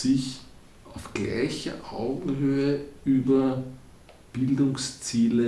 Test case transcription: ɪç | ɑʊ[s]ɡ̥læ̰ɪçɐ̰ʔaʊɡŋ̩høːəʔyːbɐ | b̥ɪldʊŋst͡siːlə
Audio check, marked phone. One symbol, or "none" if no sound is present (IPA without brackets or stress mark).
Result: f